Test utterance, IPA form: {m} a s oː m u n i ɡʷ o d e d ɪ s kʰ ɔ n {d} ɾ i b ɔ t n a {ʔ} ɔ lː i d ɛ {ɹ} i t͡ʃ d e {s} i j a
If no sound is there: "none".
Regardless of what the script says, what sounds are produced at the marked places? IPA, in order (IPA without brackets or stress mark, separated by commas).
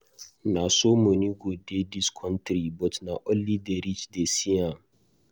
n, t, ʔ, ɾ, s